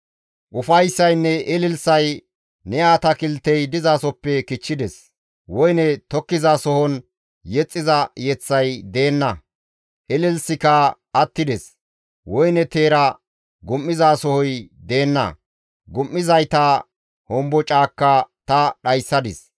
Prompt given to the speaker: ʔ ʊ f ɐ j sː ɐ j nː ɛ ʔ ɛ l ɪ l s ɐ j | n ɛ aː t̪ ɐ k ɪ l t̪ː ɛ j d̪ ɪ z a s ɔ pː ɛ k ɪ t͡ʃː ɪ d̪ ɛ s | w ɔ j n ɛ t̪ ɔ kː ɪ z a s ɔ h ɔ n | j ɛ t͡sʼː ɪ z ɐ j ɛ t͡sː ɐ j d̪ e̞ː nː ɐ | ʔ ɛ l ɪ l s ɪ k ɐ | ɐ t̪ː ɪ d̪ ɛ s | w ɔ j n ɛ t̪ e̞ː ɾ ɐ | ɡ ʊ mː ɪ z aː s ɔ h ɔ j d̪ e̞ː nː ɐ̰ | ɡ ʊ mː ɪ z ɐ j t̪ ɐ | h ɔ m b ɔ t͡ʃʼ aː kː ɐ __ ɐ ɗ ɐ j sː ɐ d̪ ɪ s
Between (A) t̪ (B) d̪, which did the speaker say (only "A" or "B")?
A